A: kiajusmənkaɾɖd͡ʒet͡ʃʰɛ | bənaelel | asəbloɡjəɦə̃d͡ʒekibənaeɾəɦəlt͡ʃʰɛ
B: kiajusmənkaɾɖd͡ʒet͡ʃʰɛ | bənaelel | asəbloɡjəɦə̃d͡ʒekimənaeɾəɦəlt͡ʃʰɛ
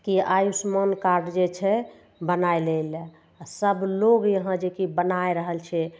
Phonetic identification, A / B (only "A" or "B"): A